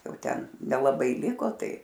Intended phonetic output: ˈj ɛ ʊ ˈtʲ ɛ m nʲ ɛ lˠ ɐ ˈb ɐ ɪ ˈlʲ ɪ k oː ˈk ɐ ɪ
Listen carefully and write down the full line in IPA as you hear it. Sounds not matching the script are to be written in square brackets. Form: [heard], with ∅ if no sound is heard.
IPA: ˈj ɛ ʊ ˈtʲ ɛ [n] nʲ ɛ lˠ ɐ ˈb ɐ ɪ ˈlʲ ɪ k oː [ˈt] ɐ ɪ